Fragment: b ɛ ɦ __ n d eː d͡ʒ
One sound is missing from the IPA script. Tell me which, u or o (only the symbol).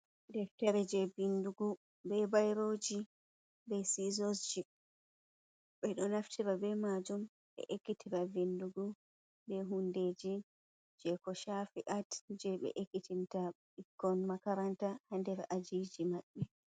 u